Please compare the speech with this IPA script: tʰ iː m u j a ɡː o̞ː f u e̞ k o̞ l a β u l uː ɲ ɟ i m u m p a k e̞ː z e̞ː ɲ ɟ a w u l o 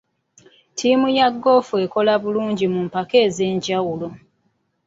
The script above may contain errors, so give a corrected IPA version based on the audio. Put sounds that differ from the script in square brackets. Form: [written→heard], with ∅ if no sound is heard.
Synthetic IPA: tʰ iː m u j a ɡː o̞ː f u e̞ k o̞ l a β u l uː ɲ ɟ i m u m p a k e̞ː z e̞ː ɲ ɟ a w u l o